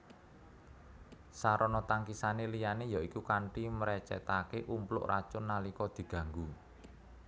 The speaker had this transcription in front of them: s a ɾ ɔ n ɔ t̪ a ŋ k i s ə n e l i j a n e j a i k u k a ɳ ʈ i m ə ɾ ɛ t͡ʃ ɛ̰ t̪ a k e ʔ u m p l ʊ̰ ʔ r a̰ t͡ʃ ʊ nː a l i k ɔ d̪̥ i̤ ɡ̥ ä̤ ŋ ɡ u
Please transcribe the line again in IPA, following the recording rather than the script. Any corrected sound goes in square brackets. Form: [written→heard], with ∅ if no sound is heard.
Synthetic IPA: s a ɾ ɔ n ɔ t̪ a ŋ k i s [ə→a] n e l i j a n e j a i k u k a ɳ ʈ i m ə ɾ ɛ t͡ʃ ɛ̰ t̪ a k e ʔ u m p l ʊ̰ ʔ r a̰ t͡ʃ ʊ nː a l i k ɔ d̪̥ i̤ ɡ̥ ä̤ ŋ ɡ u